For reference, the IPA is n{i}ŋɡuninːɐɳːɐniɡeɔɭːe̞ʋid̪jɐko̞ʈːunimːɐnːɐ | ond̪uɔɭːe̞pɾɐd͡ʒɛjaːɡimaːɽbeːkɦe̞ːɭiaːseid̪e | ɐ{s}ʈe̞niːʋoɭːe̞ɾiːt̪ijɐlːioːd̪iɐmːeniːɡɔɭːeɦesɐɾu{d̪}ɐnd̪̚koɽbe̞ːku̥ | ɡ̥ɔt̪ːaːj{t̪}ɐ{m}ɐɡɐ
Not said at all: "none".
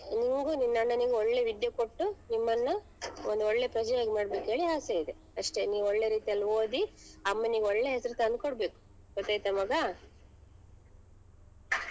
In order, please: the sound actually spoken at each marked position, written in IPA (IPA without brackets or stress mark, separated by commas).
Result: i, ʂ, t̪, t̪, m